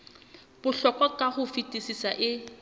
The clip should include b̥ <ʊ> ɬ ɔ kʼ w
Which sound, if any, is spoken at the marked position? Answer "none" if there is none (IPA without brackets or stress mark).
ʊ